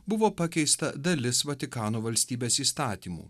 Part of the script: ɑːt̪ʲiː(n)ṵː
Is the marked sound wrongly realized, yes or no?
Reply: yes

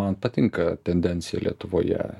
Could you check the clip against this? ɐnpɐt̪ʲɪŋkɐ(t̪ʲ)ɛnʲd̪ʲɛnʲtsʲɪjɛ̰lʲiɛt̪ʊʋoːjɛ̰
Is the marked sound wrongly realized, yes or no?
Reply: no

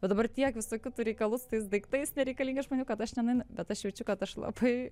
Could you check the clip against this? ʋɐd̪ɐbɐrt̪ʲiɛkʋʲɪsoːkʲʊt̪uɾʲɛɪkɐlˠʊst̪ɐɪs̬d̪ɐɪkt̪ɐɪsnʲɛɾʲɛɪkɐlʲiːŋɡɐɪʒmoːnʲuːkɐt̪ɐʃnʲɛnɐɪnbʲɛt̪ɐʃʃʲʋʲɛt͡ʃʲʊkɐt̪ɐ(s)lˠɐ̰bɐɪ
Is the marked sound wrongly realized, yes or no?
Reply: yes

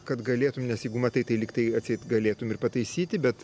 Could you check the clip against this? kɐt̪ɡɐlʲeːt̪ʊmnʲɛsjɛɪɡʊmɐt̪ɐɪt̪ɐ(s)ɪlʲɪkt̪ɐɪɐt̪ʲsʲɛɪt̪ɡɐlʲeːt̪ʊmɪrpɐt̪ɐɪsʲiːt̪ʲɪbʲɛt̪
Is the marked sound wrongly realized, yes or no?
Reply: yes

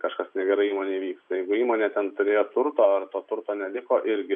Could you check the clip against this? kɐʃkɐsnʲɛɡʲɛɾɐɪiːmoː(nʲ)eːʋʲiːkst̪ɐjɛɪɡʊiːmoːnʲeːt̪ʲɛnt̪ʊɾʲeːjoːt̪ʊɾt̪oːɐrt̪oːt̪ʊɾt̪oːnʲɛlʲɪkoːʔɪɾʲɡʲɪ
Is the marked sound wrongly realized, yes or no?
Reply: no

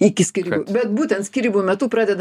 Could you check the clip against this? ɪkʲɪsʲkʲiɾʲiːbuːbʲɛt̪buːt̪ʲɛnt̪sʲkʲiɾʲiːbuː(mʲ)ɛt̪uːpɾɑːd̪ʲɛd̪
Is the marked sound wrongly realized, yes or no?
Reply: no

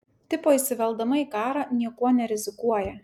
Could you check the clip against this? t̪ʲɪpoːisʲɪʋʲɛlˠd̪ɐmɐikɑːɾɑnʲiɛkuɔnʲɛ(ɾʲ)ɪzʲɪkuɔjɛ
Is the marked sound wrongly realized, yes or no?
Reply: no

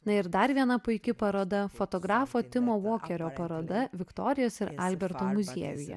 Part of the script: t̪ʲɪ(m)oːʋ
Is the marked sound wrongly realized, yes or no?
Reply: no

